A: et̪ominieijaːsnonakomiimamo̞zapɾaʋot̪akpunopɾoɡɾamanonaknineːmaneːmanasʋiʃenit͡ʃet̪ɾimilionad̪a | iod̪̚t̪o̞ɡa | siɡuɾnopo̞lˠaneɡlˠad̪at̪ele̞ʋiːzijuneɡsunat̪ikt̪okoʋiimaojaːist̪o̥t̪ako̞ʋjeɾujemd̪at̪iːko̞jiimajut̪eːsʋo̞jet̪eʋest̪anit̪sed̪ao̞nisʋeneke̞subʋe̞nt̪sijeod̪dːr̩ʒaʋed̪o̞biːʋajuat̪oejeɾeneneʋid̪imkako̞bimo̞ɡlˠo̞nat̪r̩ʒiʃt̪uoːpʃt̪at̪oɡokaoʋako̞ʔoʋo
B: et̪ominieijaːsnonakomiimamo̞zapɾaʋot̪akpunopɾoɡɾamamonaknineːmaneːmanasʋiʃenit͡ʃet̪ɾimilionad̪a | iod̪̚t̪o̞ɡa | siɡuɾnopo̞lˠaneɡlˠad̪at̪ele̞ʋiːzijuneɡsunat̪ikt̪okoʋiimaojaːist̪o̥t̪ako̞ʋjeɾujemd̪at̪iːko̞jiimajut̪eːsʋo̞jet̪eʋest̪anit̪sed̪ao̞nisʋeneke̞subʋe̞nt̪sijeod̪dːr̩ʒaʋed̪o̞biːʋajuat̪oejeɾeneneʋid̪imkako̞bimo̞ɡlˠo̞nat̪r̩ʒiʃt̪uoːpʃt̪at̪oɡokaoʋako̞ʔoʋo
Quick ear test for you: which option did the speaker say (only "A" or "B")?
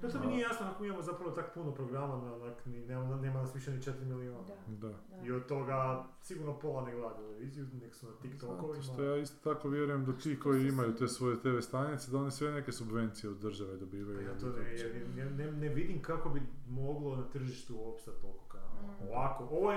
A